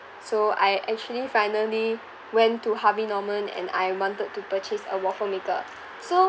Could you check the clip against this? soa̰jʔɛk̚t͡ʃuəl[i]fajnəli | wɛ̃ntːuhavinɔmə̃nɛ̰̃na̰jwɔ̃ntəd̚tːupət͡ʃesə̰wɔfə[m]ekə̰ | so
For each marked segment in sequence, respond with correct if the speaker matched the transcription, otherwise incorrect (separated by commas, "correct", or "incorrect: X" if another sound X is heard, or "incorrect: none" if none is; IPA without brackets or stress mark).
correct, correct